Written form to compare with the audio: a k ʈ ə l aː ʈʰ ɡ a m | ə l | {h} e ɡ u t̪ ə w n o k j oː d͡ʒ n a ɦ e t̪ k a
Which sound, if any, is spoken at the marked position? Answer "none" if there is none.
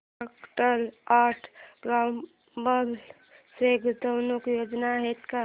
s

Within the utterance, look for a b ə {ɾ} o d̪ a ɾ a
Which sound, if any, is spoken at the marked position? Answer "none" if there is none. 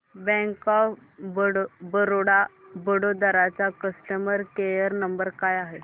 ɽ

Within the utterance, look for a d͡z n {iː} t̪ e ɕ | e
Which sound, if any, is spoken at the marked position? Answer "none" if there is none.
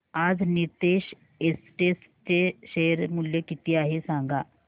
i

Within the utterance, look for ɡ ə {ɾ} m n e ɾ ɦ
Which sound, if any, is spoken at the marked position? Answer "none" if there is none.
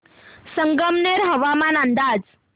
none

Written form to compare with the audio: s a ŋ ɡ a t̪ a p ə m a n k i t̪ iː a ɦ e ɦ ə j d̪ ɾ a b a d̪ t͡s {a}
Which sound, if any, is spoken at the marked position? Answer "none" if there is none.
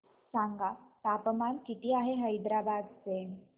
e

